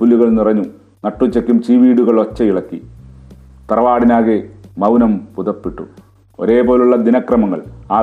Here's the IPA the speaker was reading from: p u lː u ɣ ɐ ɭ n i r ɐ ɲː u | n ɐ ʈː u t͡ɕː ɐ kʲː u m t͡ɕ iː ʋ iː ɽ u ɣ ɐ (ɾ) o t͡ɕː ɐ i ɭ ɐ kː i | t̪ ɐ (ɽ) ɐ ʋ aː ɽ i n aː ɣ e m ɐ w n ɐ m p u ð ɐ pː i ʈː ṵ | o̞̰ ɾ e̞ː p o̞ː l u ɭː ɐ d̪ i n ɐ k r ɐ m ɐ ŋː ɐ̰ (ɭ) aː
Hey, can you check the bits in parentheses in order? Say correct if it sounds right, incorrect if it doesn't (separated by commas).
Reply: incorrect, incorrect, correct